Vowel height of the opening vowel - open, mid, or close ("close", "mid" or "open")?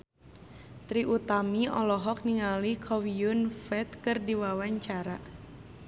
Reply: close